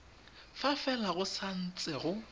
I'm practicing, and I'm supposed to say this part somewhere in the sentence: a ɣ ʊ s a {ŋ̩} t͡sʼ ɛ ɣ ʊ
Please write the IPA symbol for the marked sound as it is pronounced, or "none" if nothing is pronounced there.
n̩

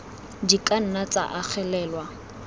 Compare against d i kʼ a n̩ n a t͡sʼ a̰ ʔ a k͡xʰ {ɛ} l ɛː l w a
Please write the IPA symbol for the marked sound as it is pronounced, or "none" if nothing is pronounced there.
ɛ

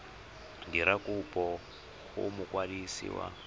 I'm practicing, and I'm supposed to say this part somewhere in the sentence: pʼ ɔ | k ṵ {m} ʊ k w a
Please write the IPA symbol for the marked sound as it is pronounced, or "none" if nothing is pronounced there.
m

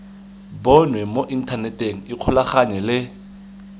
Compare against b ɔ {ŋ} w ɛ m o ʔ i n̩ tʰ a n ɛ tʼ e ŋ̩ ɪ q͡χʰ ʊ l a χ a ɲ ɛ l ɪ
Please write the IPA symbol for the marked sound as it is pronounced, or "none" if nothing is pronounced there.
n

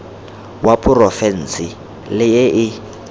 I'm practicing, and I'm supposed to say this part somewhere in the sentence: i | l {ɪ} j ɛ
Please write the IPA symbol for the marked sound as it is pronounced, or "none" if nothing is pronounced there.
ɪ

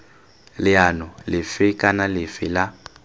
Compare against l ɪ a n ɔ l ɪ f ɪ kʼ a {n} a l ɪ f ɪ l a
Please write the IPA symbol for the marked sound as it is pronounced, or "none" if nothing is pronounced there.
n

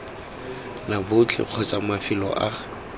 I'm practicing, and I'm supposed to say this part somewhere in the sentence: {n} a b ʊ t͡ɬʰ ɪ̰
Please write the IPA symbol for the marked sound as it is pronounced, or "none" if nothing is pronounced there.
n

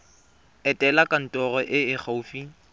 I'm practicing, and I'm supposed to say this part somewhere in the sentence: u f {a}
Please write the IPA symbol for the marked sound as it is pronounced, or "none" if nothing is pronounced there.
i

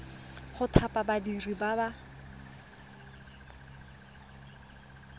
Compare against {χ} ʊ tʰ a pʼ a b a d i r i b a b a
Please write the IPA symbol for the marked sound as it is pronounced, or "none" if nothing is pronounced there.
χ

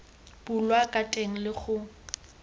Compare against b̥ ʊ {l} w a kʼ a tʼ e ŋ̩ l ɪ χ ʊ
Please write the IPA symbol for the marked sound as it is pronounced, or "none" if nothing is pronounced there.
l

